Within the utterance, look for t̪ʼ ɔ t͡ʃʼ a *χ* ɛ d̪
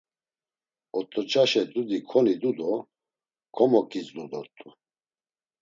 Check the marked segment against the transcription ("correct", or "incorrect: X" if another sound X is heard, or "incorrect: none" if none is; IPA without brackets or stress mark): incorrect: ʃ